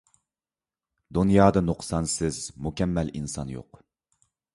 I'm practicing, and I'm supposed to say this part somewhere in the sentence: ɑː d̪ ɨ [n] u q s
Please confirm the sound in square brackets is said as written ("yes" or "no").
yes